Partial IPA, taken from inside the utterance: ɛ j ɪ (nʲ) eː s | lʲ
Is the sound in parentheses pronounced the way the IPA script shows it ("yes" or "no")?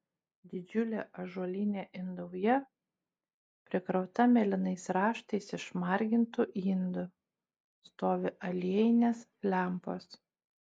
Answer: yes